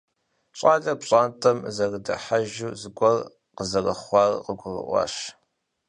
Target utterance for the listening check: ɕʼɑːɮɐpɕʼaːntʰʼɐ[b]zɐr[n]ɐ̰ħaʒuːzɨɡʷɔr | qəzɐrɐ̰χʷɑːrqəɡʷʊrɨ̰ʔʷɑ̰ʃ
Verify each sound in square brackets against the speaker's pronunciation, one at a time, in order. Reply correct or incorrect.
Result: incorrect, incorrect

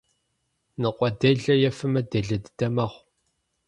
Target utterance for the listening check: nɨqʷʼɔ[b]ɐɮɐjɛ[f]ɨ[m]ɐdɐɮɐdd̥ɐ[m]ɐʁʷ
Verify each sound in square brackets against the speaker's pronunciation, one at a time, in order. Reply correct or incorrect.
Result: incorrect, correct, correct, correct

